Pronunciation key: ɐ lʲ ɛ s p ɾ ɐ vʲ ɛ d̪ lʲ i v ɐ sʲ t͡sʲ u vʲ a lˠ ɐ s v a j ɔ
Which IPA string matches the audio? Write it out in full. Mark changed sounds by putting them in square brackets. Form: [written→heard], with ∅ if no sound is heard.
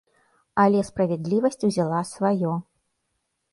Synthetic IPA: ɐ lʲ ɛ s p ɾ ɐ vʲ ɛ d̪ lʲ i v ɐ sʲ t͡sʲ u [vʲ→zʲ] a lˠ [ɐ→a] s v a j ɔ